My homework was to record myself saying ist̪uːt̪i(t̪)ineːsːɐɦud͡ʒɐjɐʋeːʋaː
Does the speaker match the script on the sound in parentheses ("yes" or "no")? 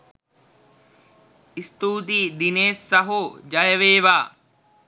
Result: no